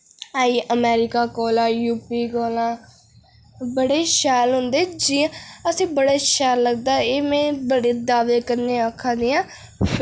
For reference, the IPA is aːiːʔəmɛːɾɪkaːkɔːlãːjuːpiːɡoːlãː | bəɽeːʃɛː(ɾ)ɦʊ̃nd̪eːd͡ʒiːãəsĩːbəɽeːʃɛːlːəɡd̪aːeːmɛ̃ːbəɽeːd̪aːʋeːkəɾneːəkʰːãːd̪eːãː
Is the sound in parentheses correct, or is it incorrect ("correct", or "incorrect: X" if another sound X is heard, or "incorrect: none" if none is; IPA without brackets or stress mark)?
incorrect: l